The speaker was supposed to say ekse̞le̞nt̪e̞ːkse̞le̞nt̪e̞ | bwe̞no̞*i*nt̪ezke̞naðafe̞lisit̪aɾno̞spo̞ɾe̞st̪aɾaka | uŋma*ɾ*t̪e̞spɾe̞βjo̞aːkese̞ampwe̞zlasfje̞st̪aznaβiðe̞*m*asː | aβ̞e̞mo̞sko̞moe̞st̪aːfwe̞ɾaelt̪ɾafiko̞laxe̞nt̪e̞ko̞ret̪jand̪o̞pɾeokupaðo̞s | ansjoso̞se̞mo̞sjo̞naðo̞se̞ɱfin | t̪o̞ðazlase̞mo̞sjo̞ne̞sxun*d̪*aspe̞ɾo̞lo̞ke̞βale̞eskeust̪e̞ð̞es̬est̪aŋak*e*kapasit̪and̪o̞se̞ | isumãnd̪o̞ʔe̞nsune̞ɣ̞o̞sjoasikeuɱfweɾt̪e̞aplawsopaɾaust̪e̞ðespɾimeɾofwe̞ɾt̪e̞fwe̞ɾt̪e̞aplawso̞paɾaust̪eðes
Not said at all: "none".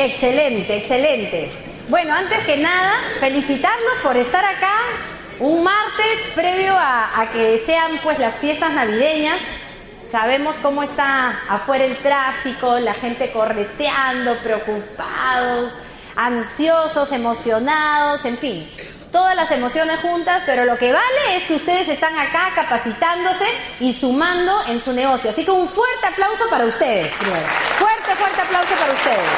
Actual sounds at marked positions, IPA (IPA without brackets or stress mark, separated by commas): a, ɾ, ɲ, t̪, a